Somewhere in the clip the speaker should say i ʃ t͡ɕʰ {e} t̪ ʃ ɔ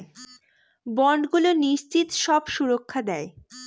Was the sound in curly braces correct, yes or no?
no